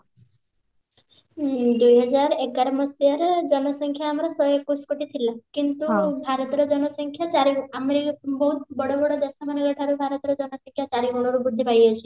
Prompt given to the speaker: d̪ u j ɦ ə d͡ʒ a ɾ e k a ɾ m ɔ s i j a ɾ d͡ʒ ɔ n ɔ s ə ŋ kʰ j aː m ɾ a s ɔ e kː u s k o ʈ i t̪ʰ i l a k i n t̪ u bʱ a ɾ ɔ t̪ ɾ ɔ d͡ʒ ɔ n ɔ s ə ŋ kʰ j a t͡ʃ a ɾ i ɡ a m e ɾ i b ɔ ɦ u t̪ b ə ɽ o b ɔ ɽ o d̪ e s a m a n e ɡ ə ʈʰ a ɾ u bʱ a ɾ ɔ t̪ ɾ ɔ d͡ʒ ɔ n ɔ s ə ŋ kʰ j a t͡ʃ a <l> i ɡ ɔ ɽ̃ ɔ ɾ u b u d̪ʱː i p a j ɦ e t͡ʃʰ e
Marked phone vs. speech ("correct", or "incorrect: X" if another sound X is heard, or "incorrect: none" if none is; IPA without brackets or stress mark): incorrect: ɾ